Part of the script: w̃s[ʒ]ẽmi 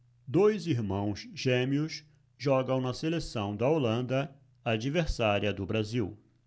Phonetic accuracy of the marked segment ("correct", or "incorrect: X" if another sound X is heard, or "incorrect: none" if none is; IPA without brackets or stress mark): correct